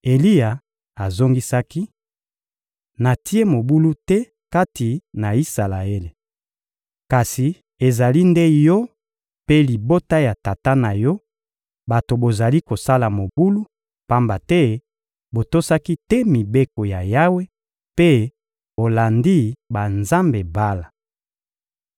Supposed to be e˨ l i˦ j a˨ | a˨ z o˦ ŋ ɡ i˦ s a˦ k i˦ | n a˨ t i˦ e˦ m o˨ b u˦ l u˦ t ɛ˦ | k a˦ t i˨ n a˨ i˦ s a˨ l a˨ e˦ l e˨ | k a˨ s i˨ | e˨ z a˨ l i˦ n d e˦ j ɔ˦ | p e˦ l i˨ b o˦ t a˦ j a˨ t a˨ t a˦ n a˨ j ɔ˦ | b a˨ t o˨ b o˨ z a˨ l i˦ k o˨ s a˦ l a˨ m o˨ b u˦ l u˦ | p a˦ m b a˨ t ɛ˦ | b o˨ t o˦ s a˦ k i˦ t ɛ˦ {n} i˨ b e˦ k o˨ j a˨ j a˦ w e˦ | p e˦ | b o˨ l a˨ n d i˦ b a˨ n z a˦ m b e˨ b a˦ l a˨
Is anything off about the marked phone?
yes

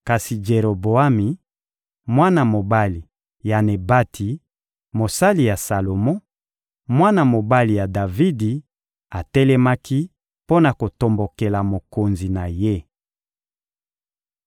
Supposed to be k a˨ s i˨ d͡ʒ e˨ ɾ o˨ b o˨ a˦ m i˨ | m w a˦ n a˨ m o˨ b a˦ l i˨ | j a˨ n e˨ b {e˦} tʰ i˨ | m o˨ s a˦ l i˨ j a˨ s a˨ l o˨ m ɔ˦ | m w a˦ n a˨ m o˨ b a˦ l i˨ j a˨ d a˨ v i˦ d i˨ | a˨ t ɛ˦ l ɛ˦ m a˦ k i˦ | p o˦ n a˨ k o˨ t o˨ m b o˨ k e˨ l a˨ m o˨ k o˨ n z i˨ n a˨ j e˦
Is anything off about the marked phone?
yes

